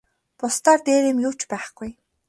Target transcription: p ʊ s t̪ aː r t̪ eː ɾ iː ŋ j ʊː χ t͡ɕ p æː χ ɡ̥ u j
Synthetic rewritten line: p ʊ s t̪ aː r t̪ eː ɾ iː m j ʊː t͡ɕ p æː χ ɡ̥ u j

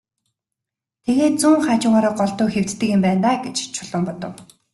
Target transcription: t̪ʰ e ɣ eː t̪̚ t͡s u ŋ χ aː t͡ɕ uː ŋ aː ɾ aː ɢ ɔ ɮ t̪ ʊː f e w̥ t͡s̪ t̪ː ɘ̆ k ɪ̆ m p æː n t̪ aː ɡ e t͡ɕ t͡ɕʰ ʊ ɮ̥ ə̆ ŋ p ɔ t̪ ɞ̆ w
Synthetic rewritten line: t̪ʰ e ɣ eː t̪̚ t͡s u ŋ χ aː t͡ɕ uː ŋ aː ɾ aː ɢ ɔ ɮ t̪ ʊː x e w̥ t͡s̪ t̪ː ɘ̆ k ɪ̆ m p æː n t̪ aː ɡ e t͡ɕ t͡ɕʰ ʊ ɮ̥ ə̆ m p ɔ t̪ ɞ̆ w

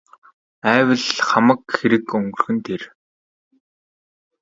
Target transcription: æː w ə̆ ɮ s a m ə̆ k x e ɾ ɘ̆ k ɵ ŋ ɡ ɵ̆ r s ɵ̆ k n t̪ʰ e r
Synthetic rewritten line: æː w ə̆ ɮ χ a m ə̆ k x e ɾ ɘ̆ k ɵ ŋ ɡ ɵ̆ r x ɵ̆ n t̪ʰ e r

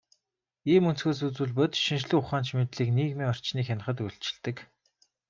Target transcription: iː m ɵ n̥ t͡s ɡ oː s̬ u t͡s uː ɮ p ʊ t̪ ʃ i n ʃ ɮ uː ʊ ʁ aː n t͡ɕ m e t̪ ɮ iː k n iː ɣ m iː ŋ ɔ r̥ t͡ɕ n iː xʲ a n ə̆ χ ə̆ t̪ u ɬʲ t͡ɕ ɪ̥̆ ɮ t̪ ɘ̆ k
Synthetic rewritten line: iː m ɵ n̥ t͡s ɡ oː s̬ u t͡s uː ɮ p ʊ t̪ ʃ i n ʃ ɮ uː ʊ χ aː n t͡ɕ m e t̪ ɮ iː k n iː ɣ m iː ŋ ɔ r̥ t͡ɕ n iː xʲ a n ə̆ χ ə̆ t̪ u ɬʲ t͡ɕ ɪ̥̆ ɮ t̪ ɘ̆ k

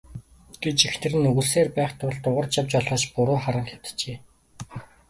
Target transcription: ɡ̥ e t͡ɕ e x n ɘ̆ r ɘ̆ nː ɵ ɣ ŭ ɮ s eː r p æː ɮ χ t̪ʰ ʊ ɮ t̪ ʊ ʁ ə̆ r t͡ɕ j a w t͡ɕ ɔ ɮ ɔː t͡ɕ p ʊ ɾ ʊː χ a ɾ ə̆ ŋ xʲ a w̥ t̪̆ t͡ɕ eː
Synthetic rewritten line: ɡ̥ e t͡ɕ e x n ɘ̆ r ɘ̆ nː ɵ ɣ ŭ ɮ s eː r p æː χ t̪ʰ ʊ ɮ t̪ ʊ ʁ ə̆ r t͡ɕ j a w t͡ɕ ɔ ɮ ɔː t͡ɕ p ʊ ɾ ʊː χ a ɾ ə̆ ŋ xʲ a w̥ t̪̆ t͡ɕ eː

